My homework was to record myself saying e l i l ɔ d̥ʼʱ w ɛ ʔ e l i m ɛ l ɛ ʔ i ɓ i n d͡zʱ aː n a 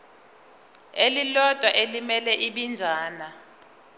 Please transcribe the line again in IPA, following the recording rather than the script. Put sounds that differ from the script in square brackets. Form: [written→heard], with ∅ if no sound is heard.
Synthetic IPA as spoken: e l i l ɔ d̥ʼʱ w [ɛ→a] ʔ e l i m ɛ l ɛ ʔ i ɓ i n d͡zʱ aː n a